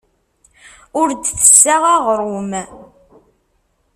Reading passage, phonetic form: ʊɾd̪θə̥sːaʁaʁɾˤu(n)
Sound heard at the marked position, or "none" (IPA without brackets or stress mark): m